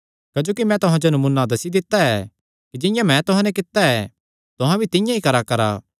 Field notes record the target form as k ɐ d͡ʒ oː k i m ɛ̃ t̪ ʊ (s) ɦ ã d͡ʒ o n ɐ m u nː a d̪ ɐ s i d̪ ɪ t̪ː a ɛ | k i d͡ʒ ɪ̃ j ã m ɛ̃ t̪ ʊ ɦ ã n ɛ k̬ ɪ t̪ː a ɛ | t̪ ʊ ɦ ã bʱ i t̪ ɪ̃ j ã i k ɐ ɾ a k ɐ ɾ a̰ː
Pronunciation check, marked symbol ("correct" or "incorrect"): incorrect